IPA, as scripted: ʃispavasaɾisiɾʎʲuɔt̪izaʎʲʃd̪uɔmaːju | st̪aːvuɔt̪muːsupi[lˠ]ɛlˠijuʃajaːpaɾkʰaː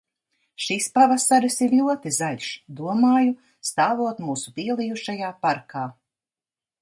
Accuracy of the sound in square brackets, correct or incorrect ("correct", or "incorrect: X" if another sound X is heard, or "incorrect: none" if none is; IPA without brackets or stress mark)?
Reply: incorrect: none